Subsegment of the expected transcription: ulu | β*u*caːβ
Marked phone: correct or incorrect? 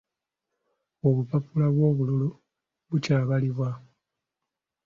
correct